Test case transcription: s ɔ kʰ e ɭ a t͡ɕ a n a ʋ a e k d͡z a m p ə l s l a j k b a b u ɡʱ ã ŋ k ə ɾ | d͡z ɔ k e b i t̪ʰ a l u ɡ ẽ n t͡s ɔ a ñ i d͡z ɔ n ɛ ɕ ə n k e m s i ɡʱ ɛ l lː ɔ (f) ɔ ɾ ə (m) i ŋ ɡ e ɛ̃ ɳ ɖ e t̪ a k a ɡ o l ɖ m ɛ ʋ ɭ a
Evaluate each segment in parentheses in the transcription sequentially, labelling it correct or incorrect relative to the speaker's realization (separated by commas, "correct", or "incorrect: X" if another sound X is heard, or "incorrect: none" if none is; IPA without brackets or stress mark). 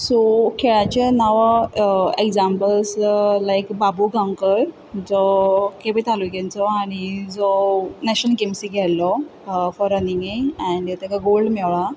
correct, incorrect: n